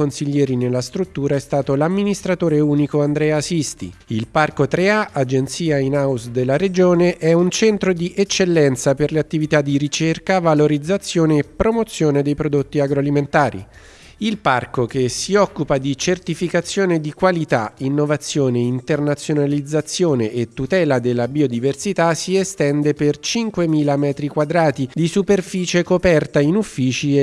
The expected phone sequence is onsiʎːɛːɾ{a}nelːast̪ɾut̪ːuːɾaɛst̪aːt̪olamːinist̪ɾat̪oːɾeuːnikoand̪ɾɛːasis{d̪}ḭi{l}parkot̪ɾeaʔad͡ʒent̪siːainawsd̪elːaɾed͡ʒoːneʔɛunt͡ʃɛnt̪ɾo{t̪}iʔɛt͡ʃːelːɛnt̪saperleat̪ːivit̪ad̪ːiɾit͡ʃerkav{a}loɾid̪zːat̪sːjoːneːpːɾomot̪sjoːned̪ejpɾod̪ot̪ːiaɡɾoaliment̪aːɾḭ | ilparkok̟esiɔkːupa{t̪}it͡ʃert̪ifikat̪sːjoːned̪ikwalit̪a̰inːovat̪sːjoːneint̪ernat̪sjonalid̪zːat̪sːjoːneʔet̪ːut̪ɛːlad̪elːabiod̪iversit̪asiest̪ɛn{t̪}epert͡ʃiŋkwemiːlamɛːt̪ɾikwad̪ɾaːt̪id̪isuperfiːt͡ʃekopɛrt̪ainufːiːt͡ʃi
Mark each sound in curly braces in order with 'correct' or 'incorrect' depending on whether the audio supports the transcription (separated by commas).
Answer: incorrect, incorrect, correct, incorrect, correct, incorrect, incorrect